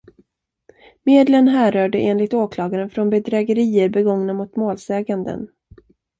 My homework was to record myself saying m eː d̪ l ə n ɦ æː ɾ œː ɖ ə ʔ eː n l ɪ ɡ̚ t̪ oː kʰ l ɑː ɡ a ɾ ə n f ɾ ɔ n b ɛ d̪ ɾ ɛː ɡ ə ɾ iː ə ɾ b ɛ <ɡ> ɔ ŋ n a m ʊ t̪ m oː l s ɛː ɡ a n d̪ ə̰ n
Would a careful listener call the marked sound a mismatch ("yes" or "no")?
no